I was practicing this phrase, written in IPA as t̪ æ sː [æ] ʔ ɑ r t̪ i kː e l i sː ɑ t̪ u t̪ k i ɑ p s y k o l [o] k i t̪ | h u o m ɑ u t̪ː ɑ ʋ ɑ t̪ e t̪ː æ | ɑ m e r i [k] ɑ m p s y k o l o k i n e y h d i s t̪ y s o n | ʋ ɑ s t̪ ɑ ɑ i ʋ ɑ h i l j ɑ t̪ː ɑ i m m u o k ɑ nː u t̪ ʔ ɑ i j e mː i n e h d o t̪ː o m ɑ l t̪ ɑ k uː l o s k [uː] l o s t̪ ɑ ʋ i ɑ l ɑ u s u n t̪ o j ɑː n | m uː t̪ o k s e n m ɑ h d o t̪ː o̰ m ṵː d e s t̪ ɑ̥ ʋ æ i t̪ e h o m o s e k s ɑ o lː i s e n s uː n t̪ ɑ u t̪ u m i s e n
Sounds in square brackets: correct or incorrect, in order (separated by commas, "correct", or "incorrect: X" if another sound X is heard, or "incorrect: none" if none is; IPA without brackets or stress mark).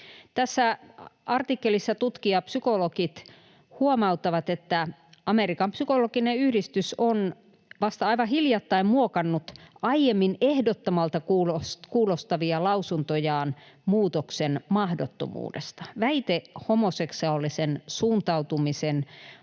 correct, correct, correct, correct